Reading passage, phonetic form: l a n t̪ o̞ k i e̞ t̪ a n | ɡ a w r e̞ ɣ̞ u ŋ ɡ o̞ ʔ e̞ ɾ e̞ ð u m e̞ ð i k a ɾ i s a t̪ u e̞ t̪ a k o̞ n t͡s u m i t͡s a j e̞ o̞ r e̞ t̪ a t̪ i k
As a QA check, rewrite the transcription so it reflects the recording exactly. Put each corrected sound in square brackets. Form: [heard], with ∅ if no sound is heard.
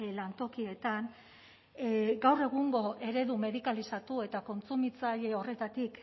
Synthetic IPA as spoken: l a n t̪ o̞ k i e̞ t̪ a n | ɡ a w r e̞ ɣ̞ u ŋ ɡ o̞ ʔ e̞ ɾ e̞ ð u m e̞ ð i k a [l] i s a t̪ u e̞ t̪ a k o̞ n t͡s u m i t͡s a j e̞ o̞ r e̞ t̪ a t̪ i k